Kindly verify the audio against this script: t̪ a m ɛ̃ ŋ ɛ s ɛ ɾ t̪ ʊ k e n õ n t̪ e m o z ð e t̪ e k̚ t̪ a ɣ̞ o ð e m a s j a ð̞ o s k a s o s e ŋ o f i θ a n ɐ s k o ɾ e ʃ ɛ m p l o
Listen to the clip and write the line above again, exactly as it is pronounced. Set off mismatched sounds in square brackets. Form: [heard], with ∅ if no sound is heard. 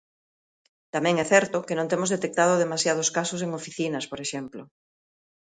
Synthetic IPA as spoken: t̪ a m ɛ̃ ŋ ɛ [θ] ɛ ɾ t̪ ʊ k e n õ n t̪ e m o z ð e t̪ e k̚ t̪ a [ð̞] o ð e m a s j a ð̞ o s k a s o s e ŋ o f i θ [i] n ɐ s [p] o ɾ e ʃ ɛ m p l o